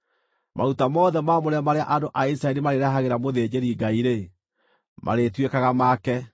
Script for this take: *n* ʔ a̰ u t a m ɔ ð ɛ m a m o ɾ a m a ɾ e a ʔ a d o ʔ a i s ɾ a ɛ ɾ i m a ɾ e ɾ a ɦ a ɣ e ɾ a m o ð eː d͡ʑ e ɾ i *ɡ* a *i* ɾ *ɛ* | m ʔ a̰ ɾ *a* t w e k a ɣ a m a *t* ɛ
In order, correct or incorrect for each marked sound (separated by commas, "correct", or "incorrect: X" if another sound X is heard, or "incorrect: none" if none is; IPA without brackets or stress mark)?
incorrect: m, correct, correct, incorrect: e, incorrect: e, incorrect: k